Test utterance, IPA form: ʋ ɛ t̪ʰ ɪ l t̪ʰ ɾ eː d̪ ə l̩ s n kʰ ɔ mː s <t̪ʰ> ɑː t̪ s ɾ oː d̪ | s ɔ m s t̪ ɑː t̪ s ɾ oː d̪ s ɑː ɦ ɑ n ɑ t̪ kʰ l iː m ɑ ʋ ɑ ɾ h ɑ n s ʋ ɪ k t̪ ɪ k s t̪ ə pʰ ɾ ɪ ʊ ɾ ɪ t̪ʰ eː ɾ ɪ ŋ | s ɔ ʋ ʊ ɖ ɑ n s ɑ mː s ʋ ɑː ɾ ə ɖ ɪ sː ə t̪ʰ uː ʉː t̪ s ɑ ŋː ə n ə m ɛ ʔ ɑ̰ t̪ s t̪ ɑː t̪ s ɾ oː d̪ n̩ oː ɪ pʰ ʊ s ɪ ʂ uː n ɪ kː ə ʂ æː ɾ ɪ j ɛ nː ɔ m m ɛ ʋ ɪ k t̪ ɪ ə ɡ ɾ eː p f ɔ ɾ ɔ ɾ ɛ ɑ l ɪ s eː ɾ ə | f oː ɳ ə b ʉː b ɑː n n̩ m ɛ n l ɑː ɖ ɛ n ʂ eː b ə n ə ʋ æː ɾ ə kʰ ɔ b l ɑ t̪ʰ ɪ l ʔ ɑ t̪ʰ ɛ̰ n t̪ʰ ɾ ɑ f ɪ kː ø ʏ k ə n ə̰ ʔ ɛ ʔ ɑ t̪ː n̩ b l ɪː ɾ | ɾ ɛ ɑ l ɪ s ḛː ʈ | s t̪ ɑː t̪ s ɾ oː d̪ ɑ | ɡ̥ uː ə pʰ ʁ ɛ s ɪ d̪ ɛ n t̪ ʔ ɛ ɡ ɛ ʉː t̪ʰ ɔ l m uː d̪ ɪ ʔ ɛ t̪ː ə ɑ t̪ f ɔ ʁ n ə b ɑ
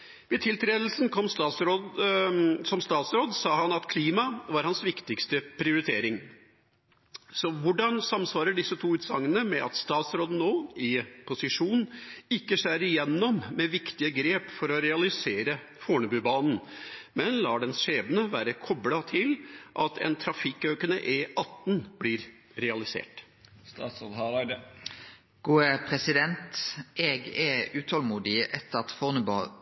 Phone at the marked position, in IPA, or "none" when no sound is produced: t̪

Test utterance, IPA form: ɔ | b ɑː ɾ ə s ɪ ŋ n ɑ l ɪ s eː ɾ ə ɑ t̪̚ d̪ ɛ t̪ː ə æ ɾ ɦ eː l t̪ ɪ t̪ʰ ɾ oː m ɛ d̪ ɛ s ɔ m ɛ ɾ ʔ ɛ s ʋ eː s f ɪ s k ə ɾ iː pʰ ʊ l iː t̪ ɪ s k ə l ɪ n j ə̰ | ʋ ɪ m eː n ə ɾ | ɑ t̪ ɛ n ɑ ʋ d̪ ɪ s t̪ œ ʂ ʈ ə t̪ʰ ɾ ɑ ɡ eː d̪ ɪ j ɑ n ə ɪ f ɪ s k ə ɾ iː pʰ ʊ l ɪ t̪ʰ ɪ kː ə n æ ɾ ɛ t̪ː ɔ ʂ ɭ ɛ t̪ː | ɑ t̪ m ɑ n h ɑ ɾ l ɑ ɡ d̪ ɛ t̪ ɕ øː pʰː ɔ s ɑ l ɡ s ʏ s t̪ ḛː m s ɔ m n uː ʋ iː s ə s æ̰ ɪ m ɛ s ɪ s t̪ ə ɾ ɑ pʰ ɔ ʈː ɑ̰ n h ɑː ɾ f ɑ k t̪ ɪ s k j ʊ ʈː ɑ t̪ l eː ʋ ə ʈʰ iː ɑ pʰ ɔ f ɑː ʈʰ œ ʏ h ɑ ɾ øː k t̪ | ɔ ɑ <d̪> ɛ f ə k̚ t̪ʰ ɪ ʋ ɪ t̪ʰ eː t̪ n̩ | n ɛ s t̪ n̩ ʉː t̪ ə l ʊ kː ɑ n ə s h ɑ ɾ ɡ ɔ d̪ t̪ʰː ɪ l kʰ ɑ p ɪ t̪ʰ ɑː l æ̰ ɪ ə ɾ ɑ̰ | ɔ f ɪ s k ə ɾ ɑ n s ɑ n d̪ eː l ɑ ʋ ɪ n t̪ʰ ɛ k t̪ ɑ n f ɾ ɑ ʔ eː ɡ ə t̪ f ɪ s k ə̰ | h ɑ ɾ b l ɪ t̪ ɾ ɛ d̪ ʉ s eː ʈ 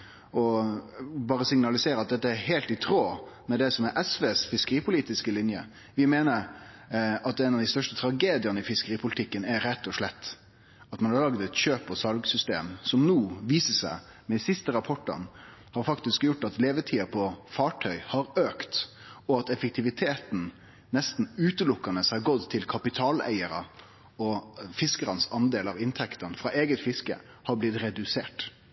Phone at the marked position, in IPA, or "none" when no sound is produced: t̪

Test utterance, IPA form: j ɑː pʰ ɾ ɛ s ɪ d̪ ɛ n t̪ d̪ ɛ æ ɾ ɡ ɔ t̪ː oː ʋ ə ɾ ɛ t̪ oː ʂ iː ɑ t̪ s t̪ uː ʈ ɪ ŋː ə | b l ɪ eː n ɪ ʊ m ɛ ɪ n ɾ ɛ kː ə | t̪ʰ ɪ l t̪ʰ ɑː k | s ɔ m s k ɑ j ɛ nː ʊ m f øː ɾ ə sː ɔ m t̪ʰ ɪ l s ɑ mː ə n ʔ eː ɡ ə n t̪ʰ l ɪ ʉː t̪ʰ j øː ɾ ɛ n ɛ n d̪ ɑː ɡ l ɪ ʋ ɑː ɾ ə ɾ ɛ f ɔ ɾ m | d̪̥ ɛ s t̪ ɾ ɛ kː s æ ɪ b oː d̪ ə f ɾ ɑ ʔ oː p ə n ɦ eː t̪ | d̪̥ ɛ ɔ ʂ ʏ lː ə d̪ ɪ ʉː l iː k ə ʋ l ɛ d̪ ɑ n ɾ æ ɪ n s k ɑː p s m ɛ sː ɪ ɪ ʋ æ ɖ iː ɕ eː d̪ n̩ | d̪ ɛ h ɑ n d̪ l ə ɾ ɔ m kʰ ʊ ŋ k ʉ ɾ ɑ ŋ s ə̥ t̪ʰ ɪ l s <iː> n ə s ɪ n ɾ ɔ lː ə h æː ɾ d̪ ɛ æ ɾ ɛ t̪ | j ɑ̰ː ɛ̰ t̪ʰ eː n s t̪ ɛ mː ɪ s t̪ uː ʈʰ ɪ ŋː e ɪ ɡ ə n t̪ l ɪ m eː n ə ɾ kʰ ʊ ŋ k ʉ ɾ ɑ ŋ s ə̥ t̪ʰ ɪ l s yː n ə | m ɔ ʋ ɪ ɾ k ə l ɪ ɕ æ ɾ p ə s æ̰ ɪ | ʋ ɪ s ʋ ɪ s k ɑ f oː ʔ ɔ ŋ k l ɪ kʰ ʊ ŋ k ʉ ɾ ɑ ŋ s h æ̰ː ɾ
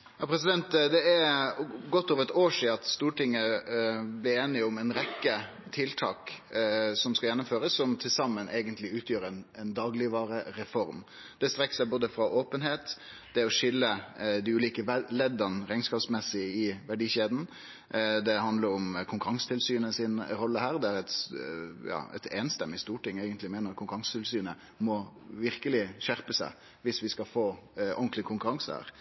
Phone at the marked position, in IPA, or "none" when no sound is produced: yː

